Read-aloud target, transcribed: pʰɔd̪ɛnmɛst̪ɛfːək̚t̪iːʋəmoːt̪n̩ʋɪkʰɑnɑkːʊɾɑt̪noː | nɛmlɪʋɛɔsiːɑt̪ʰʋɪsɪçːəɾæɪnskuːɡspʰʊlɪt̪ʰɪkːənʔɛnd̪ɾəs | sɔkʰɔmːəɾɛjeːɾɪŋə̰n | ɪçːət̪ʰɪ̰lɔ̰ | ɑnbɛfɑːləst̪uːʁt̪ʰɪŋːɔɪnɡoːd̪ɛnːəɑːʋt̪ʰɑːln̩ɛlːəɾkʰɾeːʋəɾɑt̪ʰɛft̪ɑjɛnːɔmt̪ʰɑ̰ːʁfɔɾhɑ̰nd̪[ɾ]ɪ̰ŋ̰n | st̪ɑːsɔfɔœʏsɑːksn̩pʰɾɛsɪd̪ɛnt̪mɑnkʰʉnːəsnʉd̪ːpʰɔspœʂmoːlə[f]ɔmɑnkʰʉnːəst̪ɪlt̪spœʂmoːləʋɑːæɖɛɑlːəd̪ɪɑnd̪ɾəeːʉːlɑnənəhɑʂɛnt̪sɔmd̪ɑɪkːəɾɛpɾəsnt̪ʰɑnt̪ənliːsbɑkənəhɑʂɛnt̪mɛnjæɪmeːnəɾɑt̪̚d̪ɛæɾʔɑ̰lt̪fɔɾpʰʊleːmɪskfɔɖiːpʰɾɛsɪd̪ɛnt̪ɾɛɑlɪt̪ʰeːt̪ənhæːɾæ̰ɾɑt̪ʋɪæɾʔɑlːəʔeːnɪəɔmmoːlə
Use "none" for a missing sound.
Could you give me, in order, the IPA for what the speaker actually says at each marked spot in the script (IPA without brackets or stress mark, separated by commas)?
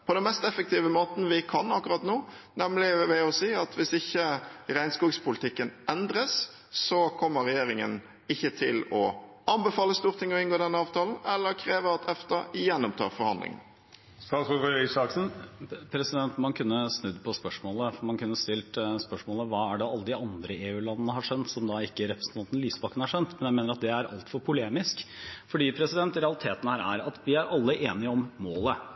l, f